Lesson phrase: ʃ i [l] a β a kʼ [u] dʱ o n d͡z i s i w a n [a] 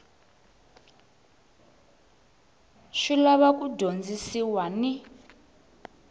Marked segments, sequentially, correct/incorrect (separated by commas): correct, correct, incorrect